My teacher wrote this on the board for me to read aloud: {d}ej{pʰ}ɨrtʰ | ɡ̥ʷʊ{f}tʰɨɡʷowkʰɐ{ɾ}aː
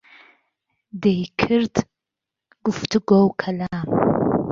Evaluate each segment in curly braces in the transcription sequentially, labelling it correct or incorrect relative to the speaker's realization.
correct, incorrect: kʰ, correct, incorrect: l

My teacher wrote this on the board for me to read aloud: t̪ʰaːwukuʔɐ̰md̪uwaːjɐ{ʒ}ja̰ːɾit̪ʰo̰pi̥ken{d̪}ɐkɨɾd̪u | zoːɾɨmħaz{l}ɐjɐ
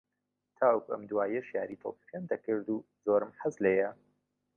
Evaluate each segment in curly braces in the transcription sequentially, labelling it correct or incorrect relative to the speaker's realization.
incorrect: ʃ, correct, correct

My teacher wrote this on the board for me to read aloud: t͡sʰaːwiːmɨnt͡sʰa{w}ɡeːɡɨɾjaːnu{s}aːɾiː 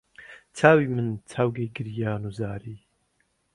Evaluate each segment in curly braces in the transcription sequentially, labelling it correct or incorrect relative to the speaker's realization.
correct, incorrect: z

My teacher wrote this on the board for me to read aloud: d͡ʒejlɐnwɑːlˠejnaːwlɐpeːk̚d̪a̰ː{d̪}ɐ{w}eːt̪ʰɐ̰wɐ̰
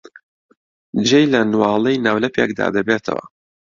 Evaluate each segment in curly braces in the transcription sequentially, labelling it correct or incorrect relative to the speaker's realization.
correct, incorrect: b

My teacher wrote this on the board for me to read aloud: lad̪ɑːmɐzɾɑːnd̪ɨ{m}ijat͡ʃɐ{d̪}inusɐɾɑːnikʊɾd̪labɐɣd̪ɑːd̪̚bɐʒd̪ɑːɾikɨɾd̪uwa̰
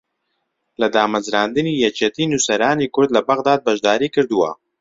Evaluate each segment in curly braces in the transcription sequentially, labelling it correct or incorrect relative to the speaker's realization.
incorrect: n, incorrect: t̪

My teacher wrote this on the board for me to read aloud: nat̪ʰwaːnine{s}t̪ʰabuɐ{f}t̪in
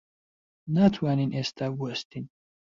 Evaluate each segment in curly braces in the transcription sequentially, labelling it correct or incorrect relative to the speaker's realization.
correct, incorrect: s

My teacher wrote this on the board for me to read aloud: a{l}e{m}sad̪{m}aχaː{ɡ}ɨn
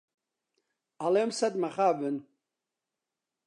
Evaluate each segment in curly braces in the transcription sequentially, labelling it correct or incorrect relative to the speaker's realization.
correct, correct, correct, incorrect: b

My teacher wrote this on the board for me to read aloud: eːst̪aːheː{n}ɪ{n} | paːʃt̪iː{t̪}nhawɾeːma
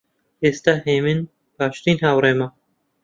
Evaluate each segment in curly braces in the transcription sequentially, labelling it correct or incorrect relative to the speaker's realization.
incorrect: m, correct, incorrect: none

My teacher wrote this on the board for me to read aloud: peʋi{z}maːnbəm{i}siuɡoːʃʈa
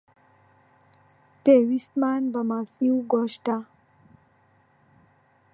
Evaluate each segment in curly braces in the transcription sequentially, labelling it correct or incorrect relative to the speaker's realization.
incorrect: s, incorrect: a

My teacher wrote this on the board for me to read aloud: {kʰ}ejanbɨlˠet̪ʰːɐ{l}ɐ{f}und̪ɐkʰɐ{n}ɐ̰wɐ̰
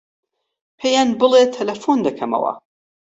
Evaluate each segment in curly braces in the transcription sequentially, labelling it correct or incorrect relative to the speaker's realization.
incorrect: pʰ, correct, correct, incorrect: m

